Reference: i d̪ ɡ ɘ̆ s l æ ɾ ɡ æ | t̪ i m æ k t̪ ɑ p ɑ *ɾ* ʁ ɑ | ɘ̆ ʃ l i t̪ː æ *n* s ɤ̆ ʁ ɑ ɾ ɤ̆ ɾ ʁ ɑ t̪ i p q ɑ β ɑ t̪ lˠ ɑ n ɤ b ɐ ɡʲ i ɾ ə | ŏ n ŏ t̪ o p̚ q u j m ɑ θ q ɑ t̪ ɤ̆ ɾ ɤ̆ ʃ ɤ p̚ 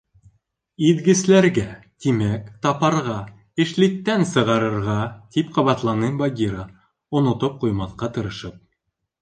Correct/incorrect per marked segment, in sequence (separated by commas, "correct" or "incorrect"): correct, correct